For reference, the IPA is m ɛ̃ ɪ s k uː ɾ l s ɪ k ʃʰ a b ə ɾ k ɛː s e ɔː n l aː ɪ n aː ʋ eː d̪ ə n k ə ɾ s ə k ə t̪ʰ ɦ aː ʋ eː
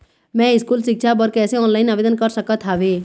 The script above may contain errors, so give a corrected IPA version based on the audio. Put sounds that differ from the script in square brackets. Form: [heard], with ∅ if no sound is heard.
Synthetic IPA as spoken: m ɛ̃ ɪ s k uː [∅] l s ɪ k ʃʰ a b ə ɾ k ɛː s e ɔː n l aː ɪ n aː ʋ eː d̪ ə n k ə ɾ s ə k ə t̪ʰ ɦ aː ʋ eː